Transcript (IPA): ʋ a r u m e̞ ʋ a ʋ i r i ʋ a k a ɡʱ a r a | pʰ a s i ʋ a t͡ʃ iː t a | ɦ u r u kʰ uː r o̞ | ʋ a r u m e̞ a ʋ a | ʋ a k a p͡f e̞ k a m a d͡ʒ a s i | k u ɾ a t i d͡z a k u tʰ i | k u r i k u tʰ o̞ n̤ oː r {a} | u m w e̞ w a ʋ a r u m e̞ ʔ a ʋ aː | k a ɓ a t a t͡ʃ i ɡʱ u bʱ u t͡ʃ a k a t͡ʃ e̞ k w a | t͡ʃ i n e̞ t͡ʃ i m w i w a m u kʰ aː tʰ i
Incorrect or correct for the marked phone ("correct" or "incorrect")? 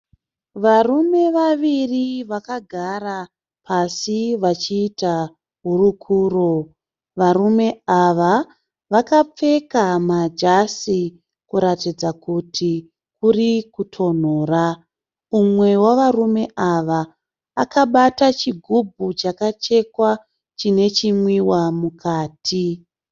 correct